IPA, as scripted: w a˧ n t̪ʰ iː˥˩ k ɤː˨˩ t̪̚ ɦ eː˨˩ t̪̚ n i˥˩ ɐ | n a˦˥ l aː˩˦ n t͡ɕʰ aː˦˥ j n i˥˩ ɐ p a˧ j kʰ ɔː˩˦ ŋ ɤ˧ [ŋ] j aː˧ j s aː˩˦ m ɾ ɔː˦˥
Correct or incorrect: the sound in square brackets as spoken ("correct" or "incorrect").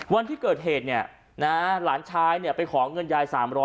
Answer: incorrect